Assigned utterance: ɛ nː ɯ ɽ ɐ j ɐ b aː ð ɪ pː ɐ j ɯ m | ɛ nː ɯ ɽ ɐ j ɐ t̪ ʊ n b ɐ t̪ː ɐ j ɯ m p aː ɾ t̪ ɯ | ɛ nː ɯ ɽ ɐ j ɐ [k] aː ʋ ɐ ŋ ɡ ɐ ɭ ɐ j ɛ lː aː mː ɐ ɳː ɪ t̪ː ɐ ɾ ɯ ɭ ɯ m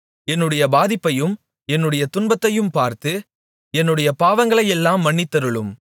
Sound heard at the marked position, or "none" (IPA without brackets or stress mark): p